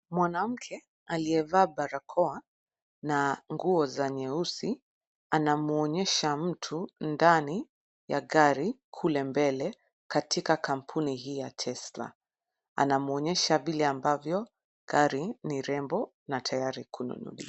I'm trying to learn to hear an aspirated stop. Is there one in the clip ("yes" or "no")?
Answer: yes